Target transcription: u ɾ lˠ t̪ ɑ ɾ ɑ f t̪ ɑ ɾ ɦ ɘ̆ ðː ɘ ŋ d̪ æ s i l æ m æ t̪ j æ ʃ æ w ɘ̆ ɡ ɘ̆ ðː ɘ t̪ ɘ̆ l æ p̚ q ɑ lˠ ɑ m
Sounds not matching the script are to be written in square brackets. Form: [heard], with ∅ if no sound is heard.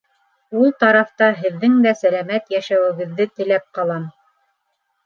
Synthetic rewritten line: u [∅] lˠ t̪ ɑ ɾ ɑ f t̪ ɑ [∅] ɦ ɘ̆ ðː ɘ ŋ d̪ æ s [æ] l æ m æ t̪ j æ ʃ æ w ɘ̆ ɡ ɘ̆ ðː ɘ t̪ ɘ̆ l æ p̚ q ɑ lˠ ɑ m